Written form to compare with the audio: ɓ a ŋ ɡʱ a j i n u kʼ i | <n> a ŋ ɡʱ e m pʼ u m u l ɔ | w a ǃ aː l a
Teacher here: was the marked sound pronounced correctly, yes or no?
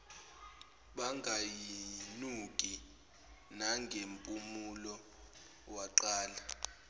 yes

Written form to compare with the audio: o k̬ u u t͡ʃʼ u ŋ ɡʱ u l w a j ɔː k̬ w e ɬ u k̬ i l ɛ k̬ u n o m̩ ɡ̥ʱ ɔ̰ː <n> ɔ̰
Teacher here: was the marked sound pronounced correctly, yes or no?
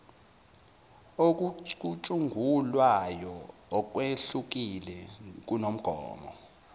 no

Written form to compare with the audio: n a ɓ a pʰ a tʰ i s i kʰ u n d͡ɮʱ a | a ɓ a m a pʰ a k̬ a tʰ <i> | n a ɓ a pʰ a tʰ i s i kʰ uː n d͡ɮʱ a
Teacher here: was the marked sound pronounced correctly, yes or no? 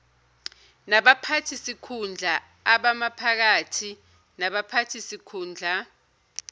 yes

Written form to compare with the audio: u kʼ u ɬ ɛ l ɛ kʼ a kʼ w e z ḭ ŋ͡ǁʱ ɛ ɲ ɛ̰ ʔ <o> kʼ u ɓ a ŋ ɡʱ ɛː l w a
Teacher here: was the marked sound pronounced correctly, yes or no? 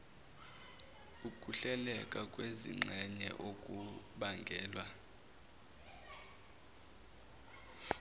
yes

